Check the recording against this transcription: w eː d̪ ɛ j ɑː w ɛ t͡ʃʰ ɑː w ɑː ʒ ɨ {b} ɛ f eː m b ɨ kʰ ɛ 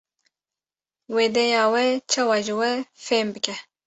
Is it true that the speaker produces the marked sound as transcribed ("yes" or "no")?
no